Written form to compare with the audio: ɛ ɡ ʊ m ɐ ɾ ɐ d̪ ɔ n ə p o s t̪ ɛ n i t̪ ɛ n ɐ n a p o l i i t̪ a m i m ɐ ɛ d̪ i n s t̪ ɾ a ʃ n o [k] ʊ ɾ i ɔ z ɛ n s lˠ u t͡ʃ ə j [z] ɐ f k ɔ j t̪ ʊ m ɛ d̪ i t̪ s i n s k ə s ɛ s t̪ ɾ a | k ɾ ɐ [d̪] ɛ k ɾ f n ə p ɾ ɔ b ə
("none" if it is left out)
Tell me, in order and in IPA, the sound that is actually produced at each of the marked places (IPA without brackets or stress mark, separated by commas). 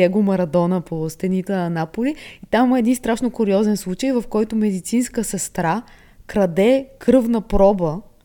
k, v, d̪